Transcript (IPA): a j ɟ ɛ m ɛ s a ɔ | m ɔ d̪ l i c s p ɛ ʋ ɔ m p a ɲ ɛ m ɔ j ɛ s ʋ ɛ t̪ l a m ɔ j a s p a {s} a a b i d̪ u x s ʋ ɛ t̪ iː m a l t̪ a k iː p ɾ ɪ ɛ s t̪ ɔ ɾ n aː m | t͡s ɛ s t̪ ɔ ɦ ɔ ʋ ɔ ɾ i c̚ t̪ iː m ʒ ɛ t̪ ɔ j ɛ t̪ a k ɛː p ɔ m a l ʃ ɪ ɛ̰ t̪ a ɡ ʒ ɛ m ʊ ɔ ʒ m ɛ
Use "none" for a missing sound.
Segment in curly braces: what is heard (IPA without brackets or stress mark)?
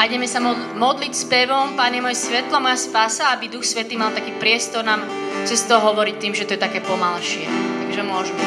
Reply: s